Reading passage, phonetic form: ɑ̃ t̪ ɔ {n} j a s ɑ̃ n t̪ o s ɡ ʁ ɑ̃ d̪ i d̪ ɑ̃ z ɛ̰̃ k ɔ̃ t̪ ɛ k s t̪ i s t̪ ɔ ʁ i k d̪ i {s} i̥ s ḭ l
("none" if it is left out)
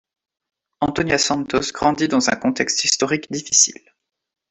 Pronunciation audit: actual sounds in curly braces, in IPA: n, f

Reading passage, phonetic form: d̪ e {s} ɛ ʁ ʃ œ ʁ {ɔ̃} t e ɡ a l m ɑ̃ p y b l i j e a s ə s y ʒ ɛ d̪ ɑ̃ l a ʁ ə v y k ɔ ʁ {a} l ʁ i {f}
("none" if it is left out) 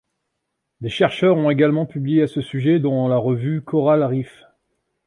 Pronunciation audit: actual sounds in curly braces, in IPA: ʃ, ɔ̃, a, f

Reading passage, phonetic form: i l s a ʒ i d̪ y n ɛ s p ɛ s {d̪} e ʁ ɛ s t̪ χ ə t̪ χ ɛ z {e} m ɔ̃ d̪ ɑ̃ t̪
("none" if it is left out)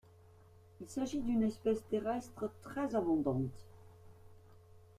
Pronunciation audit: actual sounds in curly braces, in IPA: t̪, a

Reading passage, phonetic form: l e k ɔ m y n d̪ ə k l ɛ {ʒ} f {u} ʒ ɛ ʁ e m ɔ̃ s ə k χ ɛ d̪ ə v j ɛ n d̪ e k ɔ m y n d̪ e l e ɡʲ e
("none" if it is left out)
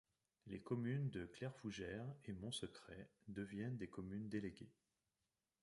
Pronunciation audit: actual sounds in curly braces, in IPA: ʁ, u

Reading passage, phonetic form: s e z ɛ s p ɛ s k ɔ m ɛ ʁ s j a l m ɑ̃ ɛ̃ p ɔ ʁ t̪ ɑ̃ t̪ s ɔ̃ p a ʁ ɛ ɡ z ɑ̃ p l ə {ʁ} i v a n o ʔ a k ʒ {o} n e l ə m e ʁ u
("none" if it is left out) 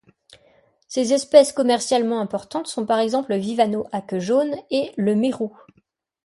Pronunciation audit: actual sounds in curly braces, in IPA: v, o

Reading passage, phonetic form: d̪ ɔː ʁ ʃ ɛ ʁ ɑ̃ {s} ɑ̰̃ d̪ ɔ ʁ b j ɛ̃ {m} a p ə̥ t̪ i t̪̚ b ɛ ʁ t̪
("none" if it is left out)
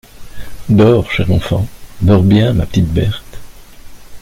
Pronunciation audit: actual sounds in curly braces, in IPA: f, m

